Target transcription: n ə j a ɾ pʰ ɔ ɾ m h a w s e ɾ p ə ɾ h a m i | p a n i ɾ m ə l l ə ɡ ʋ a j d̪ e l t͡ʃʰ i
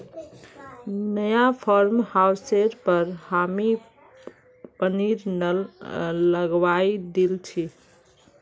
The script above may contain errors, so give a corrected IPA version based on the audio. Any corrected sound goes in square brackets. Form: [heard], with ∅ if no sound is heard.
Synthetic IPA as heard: n ə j a [∅] pʰ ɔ ɾ m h a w s e ɾ p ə ɾ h a m i | p [ə] n i ɾ [n] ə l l ə ɡ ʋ a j d̪ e l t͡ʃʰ i